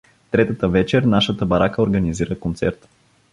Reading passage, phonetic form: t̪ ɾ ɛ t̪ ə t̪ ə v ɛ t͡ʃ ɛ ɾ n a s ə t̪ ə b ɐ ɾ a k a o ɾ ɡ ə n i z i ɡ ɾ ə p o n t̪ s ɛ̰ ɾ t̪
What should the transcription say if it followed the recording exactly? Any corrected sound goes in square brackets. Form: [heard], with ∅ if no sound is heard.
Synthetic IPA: t̪ ɾ ɛ t̪ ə t̪ ə v ɛ t͡ʃ ɛ ɾ n a [ʃ] ə t̪ ə b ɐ ɾ a k [ə] o ɾ ɡ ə n i z i [∅] ɾ ə [k] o n t̪ s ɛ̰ ɾ t̪